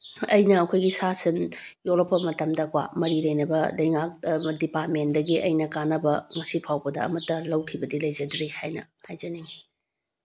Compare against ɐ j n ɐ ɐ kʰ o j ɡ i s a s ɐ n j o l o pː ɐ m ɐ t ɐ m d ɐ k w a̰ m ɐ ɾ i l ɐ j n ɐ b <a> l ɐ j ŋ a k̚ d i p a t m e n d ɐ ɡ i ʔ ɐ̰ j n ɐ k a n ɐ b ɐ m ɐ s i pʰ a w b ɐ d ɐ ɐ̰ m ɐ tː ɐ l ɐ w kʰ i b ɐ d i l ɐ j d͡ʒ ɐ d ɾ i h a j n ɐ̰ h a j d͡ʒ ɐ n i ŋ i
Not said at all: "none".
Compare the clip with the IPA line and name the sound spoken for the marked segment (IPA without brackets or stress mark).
ɐ